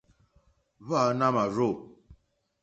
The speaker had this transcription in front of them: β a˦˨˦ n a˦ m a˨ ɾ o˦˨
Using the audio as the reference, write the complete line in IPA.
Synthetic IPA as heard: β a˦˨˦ n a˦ m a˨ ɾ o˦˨